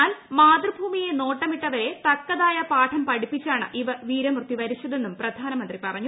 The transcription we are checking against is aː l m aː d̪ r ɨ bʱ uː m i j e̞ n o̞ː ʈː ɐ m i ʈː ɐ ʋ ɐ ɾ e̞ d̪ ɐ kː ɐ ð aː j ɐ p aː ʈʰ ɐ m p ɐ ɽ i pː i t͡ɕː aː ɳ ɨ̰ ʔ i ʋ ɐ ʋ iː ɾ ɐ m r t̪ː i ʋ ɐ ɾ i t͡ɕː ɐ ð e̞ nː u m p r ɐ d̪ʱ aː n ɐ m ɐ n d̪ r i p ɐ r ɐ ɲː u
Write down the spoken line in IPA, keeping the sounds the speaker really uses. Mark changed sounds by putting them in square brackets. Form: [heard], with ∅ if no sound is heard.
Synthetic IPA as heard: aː l m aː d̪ r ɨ bʱ uː m i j e̞ n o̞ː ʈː ɐ m i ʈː ɐ ʋ ɐ ɾ e̞ [t̪] ɐ kː ɐ ð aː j ɐ p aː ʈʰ ɐ m p ɐ ɽ i pː i t͡ɕː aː ɳ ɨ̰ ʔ i ʋ ɐ ʋ iː ɾ ɐ m r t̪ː i ʋ ɐ ɾ i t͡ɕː ɐ ð e̞ nː u m p r ɐ d̪ʱ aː n ɐ m ɐ n d̪ r i p ɐ r ɐ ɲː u